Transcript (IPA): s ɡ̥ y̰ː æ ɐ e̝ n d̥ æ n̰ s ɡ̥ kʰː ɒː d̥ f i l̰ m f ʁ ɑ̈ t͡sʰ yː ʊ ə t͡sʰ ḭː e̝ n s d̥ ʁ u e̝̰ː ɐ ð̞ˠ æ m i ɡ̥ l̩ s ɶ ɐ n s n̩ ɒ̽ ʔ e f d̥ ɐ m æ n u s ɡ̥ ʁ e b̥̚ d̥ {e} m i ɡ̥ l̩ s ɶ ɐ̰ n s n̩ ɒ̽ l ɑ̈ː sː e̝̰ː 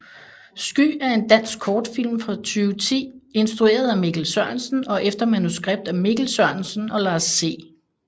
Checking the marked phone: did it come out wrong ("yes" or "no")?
yes